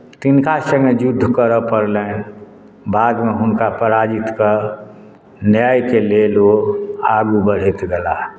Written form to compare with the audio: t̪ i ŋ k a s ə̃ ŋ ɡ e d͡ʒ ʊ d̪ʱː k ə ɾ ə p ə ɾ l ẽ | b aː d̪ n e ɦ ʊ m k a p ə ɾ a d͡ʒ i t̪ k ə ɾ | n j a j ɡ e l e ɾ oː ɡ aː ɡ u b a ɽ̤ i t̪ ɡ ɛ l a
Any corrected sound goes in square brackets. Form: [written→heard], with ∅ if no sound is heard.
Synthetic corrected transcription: t̪ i [ŋ→n] k a s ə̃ ŋ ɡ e d͡ʒ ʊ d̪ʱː k ə ɾ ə p ə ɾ l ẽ | b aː d̪ [n→m] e ɦ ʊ [m→n] k a p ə ɾ a d͡ʒ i t̪ k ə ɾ | n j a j [ɡ→k] e l e [ɾ→l] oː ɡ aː ɡ u b [a→ə] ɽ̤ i t̪ ɡ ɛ l a